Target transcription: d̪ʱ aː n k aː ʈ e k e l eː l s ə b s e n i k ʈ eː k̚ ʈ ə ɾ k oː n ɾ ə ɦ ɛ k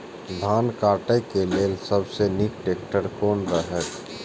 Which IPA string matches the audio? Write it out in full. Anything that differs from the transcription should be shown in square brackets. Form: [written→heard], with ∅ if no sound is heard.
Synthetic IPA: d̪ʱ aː n k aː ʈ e k e l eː l s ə b s e n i k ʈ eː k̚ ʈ ə ɾ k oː n ɾ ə ɦ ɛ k